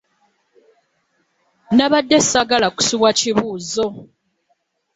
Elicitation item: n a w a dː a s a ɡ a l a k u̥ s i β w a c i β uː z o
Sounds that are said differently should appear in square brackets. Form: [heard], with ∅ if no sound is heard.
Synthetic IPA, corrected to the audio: n a [β] a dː [e] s a ɡ a l a k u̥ s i β w a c i β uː z o